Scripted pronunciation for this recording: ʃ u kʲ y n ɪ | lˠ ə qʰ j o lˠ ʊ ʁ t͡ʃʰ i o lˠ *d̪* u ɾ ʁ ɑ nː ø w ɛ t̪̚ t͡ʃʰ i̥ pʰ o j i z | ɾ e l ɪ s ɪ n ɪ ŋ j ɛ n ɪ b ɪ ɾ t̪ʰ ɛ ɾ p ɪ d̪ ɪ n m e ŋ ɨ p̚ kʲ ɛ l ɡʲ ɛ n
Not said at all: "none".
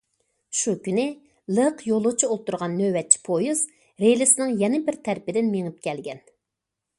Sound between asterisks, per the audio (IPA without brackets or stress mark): t̪